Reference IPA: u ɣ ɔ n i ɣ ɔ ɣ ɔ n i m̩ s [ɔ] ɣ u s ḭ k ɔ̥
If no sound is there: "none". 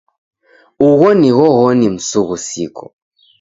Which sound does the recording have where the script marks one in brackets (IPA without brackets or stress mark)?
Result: u